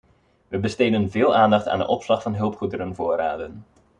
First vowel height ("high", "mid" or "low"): mid